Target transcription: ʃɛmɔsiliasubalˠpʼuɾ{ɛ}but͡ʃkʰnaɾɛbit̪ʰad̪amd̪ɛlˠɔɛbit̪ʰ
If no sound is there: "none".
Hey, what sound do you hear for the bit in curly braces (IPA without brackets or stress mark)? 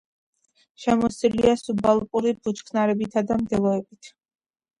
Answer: i